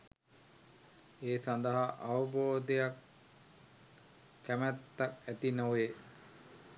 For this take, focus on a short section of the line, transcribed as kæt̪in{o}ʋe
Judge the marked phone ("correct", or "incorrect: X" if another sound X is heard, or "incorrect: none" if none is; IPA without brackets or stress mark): correct